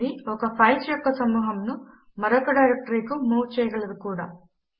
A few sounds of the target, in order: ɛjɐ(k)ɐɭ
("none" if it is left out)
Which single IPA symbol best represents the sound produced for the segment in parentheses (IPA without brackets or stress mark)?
ɡ